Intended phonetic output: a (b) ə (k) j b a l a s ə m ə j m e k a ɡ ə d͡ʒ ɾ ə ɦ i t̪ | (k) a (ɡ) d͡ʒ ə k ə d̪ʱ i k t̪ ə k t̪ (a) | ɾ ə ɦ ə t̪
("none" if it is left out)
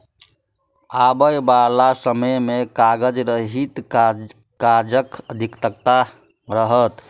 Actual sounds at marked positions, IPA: b, none, k, none, a

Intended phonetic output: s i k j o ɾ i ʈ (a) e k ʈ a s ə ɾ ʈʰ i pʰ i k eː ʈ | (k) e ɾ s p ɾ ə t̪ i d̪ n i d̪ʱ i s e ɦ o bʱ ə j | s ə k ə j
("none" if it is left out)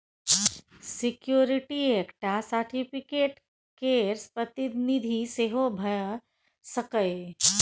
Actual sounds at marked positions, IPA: i, k

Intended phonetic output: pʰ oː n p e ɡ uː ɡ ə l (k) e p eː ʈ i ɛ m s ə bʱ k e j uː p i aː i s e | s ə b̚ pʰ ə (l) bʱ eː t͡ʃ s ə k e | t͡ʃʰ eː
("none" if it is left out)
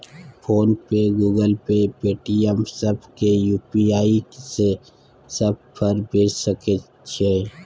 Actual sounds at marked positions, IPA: p, ɾ

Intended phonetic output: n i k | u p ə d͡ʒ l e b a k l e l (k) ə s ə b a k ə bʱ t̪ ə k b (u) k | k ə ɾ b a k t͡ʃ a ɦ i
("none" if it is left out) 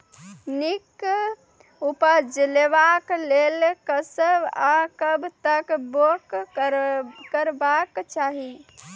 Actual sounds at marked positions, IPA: k, o

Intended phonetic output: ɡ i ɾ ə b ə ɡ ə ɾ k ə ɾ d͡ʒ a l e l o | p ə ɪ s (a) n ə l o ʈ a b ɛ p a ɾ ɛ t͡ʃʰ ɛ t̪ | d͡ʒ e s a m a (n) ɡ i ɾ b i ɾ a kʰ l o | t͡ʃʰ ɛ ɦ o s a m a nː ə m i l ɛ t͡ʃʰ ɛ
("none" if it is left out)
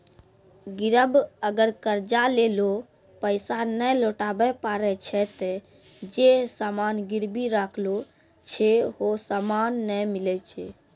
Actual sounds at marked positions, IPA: a, n

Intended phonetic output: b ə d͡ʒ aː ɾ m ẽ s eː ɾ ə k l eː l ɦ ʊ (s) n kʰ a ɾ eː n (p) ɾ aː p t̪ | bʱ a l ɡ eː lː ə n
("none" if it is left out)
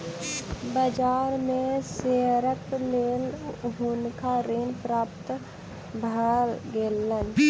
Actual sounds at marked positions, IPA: none, p

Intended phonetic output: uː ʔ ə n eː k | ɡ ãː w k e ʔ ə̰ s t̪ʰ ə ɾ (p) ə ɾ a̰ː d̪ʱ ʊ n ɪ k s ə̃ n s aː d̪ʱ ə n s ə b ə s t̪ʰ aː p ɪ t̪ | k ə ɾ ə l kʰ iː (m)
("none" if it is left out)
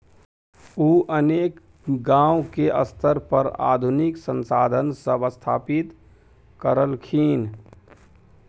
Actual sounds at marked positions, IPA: p, n

